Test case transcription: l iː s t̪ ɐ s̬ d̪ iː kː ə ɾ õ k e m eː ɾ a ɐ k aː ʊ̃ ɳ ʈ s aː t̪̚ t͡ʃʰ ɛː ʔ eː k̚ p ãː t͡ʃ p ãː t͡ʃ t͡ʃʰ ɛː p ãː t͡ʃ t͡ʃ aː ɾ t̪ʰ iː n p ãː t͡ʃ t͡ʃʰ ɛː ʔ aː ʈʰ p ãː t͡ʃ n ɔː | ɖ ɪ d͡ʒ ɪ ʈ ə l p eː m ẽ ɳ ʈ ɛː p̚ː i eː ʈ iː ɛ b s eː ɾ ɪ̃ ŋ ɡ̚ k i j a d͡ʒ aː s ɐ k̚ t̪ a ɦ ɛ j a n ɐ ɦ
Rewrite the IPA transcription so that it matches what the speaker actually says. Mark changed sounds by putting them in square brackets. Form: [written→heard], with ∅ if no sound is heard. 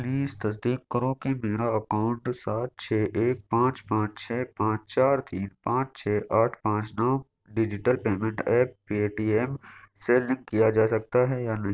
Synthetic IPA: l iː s t̪ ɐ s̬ d̪ iː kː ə ɾ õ k e m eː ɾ a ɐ k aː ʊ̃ ɳ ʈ s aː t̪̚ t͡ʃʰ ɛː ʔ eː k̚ p ãː t͡ʃ p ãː t͡ʃ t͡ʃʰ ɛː p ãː t͡ʃ t͡ʃ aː ɾ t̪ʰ iː n p ãː t͡ʃ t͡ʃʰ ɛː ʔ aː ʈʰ p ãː t͡ʃ n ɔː | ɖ ɪ d͡ʒ ɪ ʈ ə l p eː m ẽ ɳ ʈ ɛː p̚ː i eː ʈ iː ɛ [b→m] s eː [ɾ→l] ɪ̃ ŋ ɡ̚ k i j a d͡ʒ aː s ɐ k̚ t̪ a ɦ ɛ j a n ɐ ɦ